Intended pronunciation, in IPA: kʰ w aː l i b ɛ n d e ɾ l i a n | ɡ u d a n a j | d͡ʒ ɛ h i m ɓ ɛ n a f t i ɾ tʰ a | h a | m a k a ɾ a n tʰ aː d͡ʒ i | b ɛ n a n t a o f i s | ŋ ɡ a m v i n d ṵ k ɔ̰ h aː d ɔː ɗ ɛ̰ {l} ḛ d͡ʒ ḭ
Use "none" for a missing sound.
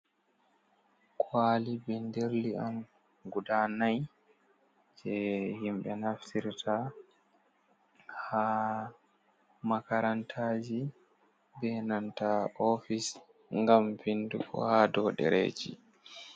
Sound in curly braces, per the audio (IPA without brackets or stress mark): ɾ